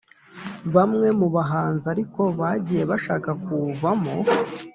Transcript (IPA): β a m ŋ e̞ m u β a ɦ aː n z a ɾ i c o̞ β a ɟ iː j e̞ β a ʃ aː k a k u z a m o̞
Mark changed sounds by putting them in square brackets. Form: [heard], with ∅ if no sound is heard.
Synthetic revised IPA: β a m ŋ e̞ m u β a ɦ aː n z a ɾ i [k] o̞ β a ɟ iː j e̞ β a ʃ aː k a k u [v] a m o̞